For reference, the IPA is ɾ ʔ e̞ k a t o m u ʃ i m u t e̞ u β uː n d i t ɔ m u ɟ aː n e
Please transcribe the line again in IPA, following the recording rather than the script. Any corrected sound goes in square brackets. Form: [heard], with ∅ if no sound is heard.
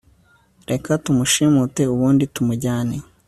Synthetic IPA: ɾ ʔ e̞ k a t [u] m u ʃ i m u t e̞ u β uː n d i t [u] m u ɟ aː n e